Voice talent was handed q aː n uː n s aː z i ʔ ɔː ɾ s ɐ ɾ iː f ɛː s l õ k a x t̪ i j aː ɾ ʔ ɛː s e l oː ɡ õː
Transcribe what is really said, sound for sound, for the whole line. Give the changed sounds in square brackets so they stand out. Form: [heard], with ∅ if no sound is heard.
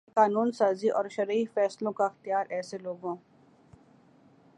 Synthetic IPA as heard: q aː n uː n s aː z i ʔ ɔː ɾ [ʃ] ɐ ɾ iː f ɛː s l õ k a x t̪ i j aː ɾ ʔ ɛː s e l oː ɡ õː

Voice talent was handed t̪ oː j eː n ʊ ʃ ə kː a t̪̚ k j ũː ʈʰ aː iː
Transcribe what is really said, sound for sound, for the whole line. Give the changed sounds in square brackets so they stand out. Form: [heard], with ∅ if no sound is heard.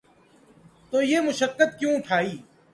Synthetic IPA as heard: t̪ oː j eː [m] ʊ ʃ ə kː [ə] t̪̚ k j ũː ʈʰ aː iː

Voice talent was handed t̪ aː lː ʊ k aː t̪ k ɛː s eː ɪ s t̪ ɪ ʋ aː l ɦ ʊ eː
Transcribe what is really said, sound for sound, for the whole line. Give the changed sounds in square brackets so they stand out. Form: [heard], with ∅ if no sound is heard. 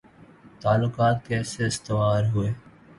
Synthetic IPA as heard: t̪ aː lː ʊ k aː t̪ k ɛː s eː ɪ s t̪ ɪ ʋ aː [ɾ] ɦ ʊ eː

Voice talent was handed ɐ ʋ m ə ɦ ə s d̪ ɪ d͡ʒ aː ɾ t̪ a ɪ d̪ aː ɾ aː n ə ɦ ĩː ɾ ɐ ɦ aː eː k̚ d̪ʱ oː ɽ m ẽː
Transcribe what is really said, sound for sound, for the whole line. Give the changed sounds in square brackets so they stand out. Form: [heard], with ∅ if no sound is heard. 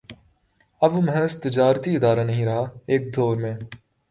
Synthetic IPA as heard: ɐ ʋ m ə ɦ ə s [t̪] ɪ d͡ʒ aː ɾ t̪ [i] ɪ d̪ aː ɾ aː n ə ɦ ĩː ɾ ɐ ɦ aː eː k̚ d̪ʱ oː [ɾ] m ẽː

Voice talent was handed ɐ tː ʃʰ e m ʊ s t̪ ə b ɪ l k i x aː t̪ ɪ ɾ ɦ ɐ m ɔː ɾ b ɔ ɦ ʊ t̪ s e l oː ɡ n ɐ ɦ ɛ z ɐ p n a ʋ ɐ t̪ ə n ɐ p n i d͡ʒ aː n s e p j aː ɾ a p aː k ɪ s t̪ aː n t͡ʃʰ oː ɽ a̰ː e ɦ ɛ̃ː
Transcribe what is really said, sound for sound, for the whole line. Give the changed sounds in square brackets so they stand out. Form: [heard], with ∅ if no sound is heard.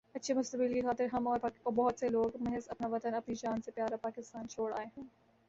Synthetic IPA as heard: ɐ tː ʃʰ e m ʊ s t̪ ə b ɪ l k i x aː t̪ ɪ ɾ ɦ ɐ m ɔː ɾ b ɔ ɦ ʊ t̪ s e l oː ɡ [m] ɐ ɦ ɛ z ɐ p n a ʋ ɐ t̪ ə n ɐ p n i d͡ʒ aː n s e p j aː ɾ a p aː k ɪ s t̪ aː n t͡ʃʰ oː ɽ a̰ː e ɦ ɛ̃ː

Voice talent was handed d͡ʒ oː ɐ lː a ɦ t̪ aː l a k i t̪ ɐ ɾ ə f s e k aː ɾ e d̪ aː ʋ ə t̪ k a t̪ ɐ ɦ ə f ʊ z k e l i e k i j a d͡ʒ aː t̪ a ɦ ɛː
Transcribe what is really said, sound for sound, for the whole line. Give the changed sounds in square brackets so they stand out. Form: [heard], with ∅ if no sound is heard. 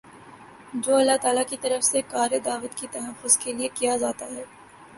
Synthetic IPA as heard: d͡ʒ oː ɐ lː a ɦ t̪ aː l a k i t̪ ɐ ɾ ə f s e k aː ɾ e d̪ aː ʋ ə t̪ k [i] t̪ ɐ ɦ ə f ʊ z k e l i e k i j a d͡ʒ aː t̪ a ɦ ɛː

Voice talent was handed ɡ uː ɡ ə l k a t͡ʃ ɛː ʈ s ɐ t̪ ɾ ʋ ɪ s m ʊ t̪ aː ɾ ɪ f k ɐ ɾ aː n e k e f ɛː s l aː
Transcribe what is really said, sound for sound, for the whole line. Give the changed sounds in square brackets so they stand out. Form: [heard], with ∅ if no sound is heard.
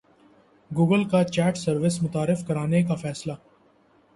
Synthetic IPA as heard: ɡ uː ɡ ə l k a t͡ʃ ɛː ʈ s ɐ [∅] ɾ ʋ ɪ s m ʊ t̪ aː ɾ ɪ f k ɐ ɾ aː n e k [a] f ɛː s l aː

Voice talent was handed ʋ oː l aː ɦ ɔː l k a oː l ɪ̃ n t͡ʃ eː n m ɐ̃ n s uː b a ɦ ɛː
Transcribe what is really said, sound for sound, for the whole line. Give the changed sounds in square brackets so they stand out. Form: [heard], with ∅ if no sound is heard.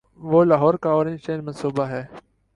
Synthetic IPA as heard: ʋ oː l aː ɦ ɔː [ɾ] k a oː [ɾ] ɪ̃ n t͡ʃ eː n m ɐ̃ n s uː b a ɦ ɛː

